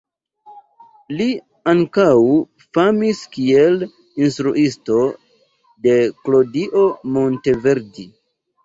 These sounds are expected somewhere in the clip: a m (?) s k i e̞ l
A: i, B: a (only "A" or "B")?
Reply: A